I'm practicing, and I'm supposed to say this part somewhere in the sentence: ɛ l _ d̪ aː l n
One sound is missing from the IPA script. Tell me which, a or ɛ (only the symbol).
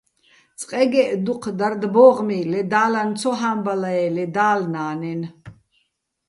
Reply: ɛ